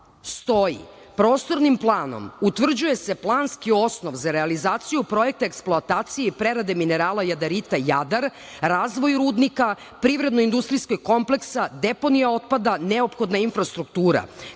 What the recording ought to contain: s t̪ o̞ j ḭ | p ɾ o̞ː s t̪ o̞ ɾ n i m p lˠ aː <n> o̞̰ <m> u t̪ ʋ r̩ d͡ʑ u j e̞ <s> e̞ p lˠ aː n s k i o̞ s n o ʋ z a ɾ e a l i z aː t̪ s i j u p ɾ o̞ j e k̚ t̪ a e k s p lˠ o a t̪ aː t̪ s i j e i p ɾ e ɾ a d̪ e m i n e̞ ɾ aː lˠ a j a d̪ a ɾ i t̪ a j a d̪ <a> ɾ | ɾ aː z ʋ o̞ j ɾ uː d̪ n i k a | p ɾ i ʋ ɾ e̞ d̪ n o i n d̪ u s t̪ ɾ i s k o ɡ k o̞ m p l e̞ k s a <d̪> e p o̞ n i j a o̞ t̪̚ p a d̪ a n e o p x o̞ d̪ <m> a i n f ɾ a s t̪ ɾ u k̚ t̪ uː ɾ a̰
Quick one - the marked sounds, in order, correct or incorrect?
correct, correct, correct, correct, correct, incorrect: n

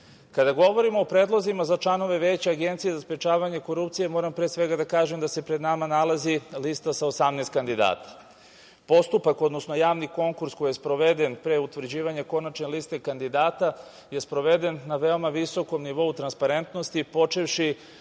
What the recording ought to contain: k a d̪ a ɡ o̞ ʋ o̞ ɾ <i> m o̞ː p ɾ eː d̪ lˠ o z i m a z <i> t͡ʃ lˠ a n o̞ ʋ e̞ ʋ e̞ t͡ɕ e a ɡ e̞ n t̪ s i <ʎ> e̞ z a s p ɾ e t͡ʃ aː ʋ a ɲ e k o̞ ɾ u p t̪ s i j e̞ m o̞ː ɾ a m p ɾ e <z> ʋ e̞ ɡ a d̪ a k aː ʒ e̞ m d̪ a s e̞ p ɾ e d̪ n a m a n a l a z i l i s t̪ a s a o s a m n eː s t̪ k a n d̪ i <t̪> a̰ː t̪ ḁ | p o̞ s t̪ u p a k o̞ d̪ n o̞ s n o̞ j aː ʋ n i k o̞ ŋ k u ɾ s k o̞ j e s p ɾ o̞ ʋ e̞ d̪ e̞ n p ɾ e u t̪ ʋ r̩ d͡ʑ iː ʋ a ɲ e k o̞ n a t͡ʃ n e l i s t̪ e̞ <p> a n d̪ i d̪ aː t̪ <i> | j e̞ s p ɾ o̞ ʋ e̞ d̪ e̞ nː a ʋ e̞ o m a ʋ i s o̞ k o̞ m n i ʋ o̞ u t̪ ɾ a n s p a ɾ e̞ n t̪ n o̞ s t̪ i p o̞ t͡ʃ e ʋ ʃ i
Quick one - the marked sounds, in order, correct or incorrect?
correct, incorrect: a, incorrect: j, incorrect: s, incorrect: d̪, incorrect: k, incorrect: a

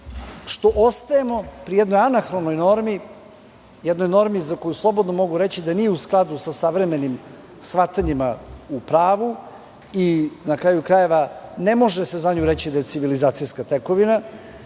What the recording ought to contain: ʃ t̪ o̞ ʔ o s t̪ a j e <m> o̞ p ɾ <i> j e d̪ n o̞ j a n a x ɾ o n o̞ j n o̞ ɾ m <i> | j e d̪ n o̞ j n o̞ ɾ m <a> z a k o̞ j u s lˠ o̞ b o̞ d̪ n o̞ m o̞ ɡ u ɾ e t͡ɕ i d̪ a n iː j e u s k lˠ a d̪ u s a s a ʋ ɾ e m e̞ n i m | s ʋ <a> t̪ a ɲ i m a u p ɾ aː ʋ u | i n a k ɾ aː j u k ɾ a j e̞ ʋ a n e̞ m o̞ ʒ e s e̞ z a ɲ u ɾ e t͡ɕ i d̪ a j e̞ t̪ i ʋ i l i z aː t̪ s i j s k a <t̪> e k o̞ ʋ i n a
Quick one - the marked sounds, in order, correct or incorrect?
correct, correct, correct, incorrect: i, correct, correct

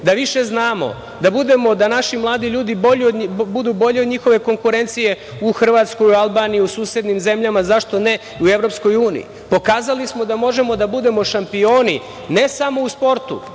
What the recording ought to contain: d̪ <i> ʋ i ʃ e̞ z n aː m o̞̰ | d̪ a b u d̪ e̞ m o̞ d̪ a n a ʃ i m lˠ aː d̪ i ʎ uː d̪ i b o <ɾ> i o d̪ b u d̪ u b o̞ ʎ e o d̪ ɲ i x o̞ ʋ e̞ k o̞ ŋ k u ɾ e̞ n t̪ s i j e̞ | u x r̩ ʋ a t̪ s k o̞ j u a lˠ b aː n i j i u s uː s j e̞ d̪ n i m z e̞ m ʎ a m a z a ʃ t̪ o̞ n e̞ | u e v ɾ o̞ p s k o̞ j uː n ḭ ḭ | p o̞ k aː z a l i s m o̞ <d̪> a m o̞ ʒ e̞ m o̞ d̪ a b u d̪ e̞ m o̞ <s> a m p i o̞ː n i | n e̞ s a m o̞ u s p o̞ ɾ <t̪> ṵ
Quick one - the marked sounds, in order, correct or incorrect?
incorrect: a, incorrect: ʎ, correct, incorrect: ʃ, correct

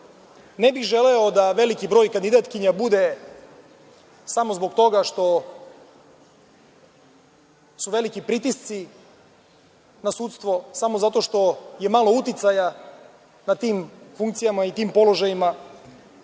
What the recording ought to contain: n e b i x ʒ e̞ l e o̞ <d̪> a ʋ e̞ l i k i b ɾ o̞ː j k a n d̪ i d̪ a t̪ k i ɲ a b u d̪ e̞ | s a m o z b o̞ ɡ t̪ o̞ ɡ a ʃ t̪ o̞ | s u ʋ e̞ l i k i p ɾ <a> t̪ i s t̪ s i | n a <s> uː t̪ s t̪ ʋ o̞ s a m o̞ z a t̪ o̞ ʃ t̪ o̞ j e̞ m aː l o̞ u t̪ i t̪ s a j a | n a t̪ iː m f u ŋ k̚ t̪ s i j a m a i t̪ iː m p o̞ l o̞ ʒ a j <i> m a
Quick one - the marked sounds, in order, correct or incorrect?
correct, incorrect: i, correct, correct

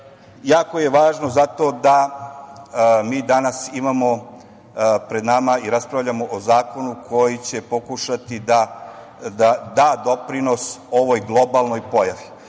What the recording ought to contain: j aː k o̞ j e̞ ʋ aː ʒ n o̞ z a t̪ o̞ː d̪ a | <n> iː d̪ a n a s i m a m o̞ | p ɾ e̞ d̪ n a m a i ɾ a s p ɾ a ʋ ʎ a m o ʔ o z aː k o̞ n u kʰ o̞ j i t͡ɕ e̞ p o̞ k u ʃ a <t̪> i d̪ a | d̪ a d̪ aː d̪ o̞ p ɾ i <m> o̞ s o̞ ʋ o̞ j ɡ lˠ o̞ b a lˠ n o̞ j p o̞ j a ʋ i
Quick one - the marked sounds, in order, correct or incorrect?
incorrect: m, correct, incorrect: n

